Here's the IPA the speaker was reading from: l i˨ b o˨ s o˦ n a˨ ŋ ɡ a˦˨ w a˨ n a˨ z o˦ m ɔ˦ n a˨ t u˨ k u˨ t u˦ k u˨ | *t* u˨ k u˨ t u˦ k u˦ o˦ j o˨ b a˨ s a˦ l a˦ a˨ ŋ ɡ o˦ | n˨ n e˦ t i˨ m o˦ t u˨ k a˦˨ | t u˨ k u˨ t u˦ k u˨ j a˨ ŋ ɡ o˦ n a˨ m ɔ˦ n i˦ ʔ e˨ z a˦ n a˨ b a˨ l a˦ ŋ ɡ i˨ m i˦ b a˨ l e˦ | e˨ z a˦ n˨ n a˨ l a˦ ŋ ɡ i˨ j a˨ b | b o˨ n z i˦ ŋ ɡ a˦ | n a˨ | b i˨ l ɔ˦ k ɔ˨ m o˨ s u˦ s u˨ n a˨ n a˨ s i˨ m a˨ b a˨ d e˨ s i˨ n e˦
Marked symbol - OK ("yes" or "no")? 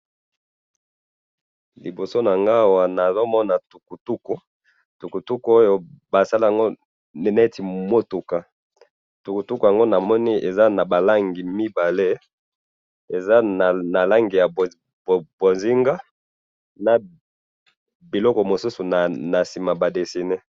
yes